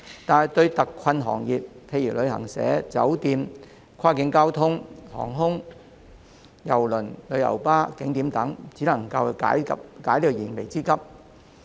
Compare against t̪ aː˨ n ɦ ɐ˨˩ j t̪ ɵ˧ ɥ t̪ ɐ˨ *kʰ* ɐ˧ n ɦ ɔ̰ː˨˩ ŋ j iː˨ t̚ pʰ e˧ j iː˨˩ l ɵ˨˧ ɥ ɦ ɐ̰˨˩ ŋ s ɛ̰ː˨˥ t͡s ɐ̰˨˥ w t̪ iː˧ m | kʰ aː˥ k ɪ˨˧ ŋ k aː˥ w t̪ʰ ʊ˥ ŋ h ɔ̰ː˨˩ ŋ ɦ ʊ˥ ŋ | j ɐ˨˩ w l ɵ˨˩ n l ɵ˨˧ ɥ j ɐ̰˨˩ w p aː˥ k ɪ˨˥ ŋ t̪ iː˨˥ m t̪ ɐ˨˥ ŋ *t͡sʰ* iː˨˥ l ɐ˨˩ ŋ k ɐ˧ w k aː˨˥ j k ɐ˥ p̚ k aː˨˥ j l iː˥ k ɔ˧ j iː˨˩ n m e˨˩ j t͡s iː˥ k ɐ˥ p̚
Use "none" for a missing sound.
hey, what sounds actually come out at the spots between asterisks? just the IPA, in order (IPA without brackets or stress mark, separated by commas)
kʰ, t͡s